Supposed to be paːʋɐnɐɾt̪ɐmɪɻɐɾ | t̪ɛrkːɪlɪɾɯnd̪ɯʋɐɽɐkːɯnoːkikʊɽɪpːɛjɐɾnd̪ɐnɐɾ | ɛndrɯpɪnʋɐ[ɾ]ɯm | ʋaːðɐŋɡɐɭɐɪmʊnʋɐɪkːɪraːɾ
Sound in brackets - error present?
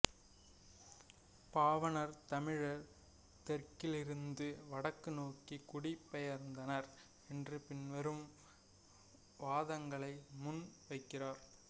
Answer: no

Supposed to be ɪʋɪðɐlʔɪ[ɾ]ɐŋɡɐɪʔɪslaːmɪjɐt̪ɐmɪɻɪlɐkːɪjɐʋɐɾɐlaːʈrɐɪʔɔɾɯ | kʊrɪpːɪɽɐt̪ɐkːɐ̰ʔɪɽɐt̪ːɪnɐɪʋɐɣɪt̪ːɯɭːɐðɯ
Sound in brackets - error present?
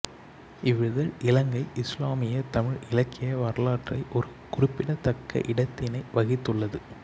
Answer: yes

